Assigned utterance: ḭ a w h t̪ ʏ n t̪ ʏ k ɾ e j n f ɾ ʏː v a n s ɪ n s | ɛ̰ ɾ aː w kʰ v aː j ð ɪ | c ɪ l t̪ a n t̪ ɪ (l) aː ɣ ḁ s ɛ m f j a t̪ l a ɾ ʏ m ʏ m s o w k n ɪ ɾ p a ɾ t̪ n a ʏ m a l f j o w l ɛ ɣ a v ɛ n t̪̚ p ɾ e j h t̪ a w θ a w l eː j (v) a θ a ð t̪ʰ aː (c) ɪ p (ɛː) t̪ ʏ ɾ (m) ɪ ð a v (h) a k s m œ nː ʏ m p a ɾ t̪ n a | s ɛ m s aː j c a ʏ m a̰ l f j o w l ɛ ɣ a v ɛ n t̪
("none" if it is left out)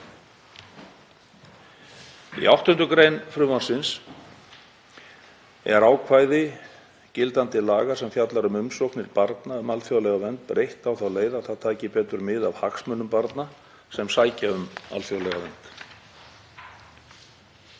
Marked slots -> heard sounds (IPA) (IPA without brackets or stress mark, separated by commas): l, ð, c, ɛː, m, h